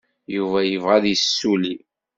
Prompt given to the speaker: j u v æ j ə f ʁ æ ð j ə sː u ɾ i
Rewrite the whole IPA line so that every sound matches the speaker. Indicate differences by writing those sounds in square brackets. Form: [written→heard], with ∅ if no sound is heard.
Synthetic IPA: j u v æ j ə [f→v] ʁ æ ð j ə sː u [ɾ→l] i